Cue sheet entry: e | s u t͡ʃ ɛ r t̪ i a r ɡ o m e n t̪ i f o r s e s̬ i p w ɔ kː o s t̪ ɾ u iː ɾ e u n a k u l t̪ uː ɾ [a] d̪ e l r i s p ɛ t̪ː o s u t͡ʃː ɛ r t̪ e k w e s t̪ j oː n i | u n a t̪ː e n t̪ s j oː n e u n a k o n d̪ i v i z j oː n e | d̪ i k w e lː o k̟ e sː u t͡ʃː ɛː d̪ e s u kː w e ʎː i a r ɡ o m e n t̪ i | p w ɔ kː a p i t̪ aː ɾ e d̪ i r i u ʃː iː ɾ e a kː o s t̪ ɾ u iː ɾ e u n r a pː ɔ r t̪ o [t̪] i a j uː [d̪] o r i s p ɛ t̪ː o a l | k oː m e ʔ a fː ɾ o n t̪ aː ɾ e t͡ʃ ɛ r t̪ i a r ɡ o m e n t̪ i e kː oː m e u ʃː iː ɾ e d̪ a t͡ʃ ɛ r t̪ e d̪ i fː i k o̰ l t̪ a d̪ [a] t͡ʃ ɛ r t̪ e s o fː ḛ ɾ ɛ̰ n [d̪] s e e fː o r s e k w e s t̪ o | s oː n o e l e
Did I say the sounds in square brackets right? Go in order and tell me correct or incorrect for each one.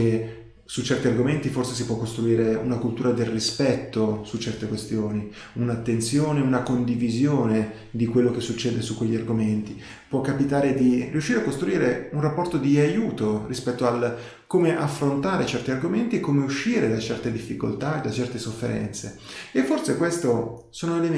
correct, incorrect: d̪, incorrect: t̪, correct, incorrect: t̪

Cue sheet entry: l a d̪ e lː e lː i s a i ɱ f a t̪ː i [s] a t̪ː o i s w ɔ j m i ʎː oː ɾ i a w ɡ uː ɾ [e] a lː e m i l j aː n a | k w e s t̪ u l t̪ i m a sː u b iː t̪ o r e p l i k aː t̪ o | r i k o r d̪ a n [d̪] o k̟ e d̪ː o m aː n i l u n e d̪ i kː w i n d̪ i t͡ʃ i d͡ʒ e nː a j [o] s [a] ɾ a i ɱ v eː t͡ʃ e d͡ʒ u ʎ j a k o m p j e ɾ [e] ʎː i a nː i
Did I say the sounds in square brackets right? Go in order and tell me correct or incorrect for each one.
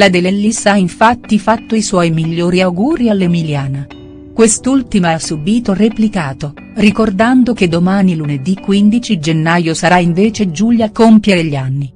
incorrect: f, incorrect: i, correct, correct, correct, correct

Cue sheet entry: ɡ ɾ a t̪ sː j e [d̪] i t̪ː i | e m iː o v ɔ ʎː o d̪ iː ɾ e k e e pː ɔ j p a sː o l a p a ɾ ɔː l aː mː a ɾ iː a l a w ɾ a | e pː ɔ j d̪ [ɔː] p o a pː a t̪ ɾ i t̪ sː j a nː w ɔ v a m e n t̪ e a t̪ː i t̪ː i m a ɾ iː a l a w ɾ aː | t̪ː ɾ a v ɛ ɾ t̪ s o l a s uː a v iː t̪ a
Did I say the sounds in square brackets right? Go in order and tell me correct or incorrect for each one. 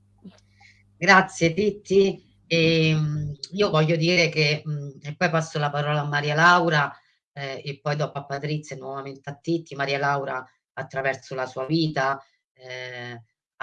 incorrect: t̪, incorrect: ɔ

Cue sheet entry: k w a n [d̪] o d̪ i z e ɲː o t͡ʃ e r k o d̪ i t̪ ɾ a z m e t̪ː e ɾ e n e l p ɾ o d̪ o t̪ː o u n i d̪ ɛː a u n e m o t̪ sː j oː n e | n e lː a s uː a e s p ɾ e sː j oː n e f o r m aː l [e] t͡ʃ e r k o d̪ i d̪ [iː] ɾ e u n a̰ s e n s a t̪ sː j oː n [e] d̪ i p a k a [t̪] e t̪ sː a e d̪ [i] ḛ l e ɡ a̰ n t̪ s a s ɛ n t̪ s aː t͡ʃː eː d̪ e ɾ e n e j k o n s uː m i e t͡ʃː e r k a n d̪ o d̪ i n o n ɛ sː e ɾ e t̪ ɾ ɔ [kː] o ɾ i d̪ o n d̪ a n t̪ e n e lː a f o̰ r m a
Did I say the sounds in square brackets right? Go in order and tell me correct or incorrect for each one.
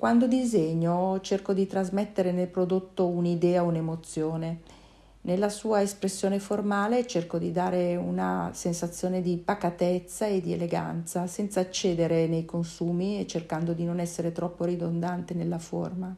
correct, correct, incorrect: aː, correct, correct, correct, incorrect: pː

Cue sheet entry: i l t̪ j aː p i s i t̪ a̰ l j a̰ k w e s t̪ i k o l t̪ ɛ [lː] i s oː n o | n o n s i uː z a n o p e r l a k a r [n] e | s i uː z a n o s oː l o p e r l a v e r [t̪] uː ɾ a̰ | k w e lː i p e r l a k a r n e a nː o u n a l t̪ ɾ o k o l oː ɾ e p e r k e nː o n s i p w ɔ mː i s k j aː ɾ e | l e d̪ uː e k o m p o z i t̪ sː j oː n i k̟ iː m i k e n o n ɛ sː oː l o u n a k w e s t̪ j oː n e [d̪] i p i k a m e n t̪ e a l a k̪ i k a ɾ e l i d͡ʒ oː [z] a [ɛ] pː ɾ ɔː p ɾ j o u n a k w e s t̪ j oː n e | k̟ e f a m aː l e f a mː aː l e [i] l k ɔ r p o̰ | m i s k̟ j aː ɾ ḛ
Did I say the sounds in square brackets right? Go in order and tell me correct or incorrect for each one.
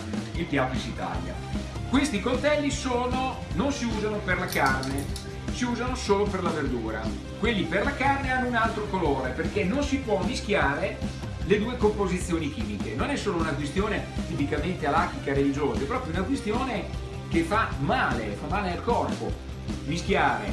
correct, correct, incorrect: d̪, incorrect: t̪, correct, correct, incorrect: a

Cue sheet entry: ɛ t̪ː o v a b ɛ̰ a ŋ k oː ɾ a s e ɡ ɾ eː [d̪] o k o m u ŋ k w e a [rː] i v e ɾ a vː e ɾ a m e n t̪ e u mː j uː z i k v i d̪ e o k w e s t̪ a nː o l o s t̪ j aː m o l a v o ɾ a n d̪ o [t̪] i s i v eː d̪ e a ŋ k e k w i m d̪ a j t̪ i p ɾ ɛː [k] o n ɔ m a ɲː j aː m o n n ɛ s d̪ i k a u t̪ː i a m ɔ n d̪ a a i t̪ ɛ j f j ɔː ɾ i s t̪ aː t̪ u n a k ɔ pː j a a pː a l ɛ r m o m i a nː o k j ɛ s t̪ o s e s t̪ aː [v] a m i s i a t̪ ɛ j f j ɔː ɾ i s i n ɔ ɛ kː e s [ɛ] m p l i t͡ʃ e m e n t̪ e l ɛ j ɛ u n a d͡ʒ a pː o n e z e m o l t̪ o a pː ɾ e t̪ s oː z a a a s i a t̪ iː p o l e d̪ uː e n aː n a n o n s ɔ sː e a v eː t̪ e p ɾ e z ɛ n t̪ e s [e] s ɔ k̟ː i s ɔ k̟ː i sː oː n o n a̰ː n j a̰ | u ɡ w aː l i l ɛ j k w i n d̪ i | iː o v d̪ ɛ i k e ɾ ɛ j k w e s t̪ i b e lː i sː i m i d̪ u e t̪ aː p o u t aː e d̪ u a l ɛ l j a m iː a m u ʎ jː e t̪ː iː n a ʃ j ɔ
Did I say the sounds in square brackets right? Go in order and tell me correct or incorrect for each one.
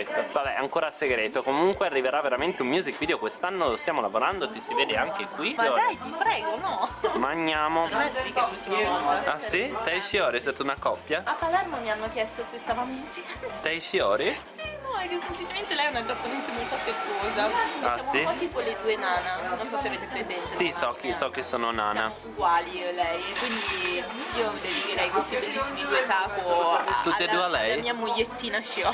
incorrect: t̪, correct, correct, incorrect: ɡ, correct, incorrect: e, incorrect: i

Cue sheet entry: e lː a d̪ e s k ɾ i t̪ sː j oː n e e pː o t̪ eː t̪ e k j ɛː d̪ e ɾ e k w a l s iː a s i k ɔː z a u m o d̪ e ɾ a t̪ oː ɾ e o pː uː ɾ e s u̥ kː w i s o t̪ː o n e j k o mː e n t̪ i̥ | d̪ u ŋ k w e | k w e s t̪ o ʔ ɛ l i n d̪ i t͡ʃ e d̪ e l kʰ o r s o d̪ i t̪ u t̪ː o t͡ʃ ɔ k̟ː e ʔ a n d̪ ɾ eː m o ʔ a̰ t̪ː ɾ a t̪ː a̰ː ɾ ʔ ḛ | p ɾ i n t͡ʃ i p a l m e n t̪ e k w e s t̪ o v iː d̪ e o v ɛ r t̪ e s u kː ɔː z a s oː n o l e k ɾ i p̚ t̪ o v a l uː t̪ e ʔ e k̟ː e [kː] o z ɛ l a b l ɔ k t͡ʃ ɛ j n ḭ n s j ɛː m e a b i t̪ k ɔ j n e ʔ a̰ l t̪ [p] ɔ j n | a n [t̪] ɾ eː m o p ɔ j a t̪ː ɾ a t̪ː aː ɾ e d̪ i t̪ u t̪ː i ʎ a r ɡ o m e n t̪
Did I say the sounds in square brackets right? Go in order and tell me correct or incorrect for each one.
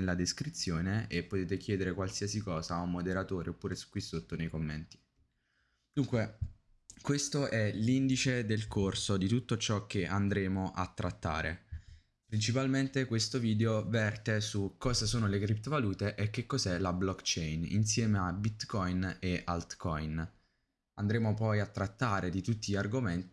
correct, incorrect: k, incorrect: d̪

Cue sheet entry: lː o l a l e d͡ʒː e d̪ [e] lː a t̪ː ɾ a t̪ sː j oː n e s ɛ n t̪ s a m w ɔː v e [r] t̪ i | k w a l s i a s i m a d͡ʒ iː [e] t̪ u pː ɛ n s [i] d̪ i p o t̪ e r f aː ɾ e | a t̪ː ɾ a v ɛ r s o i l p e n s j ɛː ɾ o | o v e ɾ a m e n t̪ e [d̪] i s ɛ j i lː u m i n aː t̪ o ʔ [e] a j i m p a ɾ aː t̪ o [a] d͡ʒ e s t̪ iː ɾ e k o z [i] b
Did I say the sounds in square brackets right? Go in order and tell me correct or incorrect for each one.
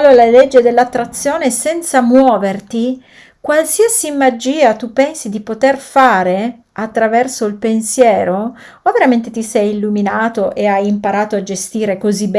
correct, correct, incorrect: a, correct, incorrect: t̪, correct, correct, correct

